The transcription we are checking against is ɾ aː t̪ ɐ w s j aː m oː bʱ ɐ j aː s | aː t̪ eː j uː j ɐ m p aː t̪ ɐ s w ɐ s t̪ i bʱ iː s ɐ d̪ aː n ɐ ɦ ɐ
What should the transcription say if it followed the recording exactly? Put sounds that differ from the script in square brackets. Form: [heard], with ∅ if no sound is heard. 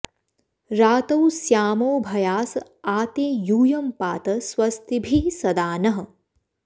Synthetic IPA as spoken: ɾ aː t̪ ɐ w s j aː m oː bʱ ɐ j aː s | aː t̪ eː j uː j ɐ m p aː t̪ ɐ s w ɐ s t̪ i bʱ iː s ɐ d̪ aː n ɐ ɦ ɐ